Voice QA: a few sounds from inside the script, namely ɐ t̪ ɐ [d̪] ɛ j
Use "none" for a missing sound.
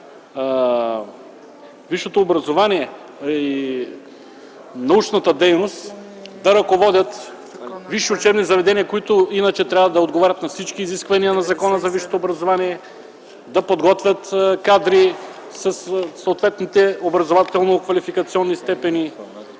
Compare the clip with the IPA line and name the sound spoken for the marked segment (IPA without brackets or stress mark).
d̪